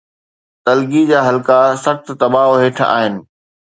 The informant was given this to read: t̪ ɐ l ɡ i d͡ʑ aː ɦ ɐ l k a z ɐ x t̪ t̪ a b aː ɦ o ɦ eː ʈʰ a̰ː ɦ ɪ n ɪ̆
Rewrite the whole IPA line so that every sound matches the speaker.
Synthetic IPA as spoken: t̪ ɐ l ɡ i d͡ʑ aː ɦ ɐ l k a s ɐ x t̪ t̪ ɐ b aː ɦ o ɦ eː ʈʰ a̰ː ɦ ɪ n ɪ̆